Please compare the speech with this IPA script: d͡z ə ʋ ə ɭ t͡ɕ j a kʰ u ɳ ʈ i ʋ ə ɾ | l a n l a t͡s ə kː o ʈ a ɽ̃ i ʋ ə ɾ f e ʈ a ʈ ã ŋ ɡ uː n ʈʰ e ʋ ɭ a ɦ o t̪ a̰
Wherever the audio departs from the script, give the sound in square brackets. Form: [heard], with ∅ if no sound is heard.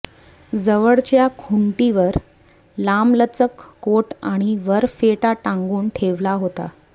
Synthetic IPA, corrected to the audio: d͡z ə ʋ ə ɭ t͡ɕ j a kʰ u ɳ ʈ i ʋ ə ɾ | l a [m] l [ə] t͡s ə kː o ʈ a ɽ̃ i ʋ ə ɾ f e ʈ a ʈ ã ŋ ɡ uː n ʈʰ e ʋ [l] a ɦ o t̪ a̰